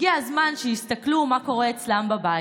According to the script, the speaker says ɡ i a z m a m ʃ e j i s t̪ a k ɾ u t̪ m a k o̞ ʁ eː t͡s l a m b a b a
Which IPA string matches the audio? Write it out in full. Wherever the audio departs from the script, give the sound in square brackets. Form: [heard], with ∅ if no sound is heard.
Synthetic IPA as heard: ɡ i a z m a [n] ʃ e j i s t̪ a k [l] u [∅] m a k o̞ ʁ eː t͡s l a m b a b a